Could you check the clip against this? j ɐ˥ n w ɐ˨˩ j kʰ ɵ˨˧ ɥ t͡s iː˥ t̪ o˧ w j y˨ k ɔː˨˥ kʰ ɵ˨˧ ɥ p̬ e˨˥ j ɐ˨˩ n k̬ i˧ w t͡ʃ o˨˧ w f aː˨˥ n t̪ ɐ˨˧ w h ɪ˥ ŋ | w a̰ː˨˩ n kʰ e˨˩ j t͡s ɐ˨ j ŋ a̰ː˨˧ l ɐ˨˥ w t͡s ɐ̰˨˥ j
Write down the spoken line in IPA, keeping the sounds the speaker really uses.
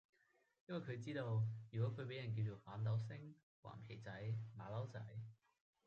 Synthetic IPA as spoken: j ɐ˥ n w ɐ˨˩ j kʰ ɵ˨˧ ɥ t͡s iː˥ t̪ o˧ w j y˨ k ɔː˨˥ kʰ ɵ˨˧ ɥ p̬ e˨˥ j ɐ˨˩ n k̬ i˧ w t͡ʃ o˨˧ w f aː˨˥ n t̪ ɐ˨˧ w s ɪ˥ ŋ | w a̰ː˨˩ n kʰ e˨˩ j t͡s ɐ˨˥ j m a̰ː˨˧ l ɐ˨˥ w t͡s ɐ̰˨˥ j